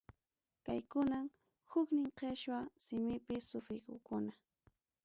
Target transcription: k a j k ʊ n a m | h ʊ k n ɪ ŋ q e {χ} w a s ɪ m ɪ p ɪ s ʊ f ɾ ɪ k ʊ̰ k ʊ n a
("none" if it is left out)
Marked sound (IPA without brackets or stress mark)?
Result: ʃ